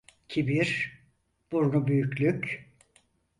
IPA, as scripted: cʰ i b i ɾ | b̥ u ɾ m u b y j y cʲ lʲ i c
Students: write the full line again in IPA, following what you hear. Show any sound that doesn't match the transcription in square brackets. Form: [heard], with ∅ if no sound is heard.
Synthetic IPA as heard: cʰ i b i ɾ | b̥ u ɾ [n] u b y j y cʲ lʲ [y] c